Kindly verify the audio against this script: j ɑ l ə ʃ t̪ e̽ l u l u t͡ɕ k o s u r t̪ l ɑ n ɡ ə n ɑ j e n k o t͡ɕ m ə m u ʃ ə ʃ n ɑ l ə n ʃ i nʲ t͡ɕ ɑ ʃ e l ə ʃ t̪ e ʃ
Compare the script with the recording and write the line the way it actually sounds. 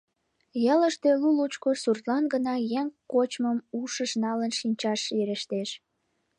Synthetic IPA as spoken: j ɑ l ə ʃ t̪ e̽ l u l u t͡ɕ k o s u r t̪ l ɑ n ɡ ə n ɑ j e ŋ k o t͡ɕ m ə m u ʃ ə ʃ n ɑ l ə n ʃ i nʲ t͡ɕ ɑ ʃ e ɾ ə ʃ t̪ e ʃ

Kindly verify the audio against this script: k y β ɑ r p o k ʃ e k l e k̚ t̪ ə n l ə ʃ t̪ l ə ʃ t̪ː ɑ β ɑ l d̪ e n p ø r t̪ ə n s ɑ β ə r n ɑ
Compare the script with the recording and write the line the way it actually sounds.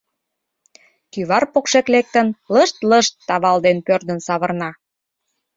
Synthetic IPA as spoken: k y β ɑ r p o k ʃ e k l e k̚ t̪ ə n l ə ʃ t̪ l ə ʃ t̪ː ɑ β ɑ l d̪ e n p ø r d̪ ə n s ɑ β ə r n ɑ

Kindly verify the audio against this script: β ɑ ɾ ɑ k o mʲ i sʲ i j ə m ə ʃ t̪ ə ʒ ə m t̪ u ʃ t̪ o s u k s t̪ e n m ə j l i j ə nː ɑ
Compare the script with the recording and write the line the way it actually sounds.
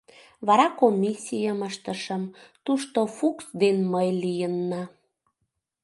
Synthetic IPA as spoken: β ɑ ɾ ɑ k o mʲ i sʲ i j ə m ə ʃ t̪ ə ʃ ə m t̪ u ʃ t̪ o f u k s d̪ e n m ə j l i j ə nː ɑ

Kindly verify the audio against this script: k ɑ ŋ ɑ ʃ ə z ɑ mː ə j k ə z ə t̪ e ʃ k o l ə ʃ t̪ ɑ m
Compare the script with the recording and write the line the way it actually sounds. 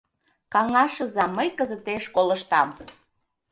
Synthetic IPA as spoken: k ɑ ŋ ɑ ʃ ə z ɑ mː ə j k ə z ə t̪ e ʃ k o l ə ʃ t̪ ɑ m

